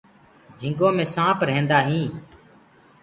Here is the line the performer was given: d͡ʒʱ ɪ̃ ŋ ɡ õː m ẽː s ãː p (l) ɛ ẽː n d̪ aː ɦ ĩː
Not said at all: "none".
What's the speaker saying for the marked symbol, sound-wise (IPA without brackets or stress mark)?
ɾ